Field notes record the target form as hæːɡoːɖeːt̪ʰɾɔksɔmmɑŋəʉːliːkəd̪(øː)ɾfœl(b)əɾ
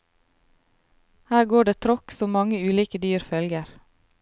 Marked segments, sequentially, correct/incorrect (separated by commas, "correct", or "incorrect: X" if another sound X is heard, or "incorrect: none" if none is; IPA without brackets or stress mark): incorrect: yː, incorrect: ɡ